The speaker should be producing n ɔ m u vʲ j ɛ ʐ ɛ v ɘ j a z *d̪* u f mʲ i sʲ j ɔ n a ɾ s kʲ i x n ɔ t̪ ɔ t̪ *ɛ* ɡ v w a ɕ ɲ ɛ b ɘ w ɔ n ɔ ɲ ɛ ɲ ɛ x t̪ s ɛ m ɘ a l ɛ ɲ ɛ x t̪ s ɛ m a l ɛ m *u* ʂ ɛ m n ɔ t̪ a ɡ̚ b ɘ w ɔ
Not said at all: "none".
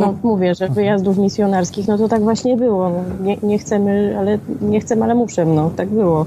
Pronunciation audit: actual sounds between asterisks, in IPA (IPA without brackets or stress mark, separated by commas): d̪, a, u